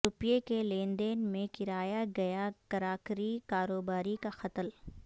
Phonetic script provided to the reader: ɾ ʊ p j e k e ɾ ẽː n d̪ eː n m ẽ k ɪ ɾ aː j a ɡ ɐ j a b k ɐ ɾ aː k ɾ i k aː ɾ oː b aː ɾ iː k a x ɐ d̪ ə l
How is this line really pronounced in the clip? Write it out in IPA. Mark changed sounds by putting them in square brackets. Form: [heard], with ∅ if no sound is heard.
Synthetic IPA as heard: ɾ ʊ p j e k e [l] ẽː n d̪ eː n m ẽ k ɪ ɾ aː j a ɡ ɐ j a [∅] k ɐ ɾ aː k ɾ i k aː ɾ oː b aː ɾ [i] k a x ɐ [t̪] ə l

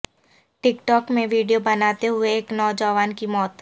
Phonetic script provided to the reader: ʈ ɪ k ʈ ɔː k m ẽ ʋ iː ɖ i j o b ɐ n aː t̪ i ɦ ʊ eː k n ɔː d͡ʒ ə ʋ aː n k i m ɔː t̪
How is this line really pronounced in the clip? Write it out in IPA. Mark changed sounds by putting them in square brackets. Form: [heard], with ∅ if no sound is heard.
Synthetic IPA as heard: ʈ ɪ k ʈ ɔː k m ẽ ʋ iː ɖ i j o b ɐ n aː t̪ [e] ɦ ʊ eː k n ɔː d͡ʒ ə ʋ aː n k i m ɔː t̪

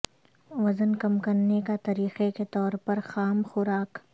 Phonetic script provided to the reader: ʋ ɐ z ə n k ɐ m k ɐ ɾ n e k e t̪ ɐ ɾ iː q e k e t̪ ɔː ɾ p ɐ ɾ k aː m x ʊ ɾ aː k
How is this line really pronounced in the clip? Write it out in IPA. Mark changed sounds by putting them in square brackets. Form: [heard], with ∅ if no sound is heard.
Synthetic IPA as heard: ʋ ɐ z ə n k ɐ m k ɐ ɾ n e k [a] t̪ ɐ ɾ iː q e k e t̪ ɔː ɾ p ɐ ɾ [x] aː m x ʊ ɾ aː k

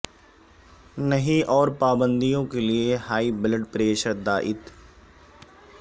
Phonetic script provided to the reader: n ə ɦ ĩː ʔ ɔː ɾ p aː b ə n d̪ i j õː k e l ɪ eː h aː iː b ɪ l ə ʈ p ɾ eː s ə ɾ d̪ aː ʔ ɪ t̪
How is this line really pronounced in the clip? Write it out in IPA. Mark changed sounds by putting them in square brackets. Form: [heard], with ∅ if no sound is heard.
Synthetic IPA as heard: n ə ɦ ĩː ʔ ɔː ɾ p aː b ə n d̪ i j õː k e l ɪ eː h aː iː b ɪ l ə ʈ p ɾ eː [ʃ] ə ɾ d̪ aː ʔ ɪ t̪

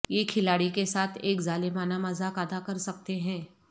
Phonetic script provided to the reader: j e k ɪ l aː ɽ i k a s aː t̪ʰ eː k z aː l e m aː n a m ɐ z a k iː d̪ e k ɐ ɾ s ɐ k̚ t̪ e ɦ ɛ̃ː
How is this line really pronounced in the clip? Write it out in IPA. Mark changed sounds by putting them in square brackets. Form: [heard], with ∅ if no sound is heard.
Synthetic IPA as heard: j e [kʰ] ɪ l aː ɽ i k [e] s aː t̪ʰ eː k z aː l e m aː n a m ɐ z a k [aː] d̪ [a] k ɐ ɾ s ɐ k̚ t̪ e ɦ ɛ̃ː

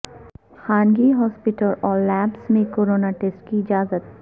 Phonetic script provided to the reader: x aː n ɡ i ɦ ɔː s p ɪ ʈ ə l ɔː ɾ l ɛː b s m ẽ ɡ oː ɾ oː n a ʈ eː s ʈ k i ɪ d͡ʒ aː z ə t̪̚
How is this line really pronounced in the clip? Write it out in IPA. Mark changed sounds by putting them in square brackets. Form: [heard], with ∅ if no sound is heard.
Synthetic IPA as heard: x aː n ɡ i ɦ ɔː s p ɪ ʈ ə l ɔː ɾ l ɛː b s m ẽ [k] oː ɾ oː n a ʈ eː s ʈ k i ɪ d͡ʒ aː z ə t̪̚

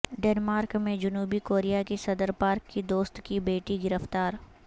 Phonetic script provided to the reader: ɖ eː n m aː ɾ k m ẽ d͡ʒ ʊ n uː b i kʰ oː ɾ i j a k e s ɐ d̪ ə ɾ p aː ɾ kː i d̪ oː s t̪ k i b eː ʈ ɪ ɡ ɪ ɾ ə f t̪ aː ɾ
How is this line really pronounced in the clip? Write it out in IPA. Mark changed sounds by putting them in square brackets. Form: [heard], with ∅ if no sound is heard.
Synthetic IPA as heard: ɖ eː n m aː ɾ k m ẽ d͡ʒ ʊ n uː b i [k] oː ɾ i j a k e s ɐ d̪ ə ɾ p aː ɾ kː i d̪ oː s t̪ k i b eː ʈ [i] ɡ ɪ ɾ ə f t̪ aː ɾ

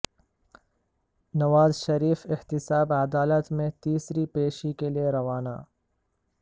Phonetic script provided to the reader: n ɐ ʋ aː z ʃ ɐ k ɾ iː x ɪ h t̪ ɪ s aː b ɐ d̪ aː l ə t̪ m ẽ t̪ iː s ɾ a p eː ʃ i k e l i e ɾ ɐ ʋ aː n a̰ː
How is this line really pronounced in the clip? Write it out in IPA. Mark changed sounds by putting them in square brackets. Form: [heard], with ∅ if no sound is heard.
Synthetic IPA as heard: n ɐ ʋ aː z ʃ ɐ [∅] ɾ iː [f] ɪ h t̪ ɪ s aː b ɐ d̪ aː l ə t̪ m ẽ t̪ iː s ɾ [i] p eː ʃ i k e l i e ɾ ɐ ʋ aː n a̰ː

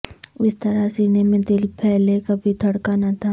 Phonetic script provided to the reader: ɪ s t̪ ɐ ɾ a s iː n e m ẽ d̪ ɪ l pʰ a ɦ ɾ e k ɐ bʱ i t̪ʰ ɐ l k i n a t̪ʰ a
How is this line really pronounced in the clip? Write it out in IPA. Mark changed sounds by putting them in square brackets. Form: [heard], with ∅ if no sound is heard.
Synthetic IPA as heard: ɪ s t̪ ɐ ɾ a s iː n e m ẽ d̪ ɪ l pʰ [ɛ] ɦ [l] e k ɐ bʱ i t̪ʰ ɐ [ɽ] k [a] n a t̪ʰ a

